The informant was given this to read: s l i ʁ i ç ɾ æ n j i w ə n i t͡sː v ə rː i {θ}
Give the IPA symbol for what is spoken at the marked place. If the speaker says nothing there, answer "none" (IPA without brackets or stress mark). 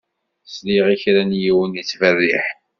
ħ